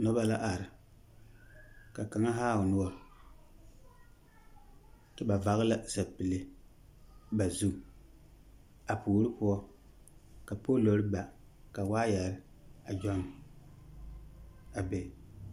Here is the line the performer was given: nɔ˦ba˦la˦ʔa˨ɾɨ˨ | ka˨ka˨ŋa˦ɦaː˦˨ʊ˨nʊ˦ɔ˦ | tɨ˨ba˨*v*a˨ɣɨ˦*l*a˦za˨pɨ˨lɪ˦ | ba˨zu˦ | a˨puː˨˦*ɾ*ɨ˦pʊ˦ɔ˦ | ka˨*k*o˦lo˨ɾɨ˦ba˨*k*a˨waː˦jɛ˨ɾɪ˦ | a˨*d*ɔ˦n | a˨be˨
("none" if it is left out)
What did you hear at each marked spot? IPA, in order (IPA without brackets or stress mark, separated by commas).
v, l, ɾ, p, k, d͡ʒ